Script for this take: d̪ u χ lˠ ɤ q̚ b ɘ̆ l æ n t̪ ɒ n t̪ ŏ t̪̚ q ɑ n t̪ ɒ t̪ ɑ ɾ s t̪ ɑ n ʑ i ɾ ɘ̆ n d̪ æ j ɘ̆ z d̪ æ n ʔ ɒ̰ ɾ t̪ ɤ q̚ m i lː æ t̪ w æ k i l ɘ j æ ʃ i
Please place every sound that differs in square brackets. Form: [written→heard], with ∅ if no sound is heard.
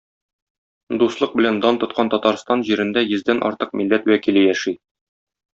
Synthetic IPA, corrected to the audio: d̪ u [χ→s] lˠ ɤ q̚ b ɘ̆ l æ n [t̪→d̪] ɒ n t̪ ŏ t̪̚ q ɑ n t̪ ɒ t̪ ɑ ɾ s t̪ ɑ n ʑ i ɾ ɘ̆ n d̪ æ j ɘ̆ z d̪ æ n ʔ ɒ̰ ɾ t̪ ɤ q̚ m i lː æ t̪ w æ k i l ɘ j æ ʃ i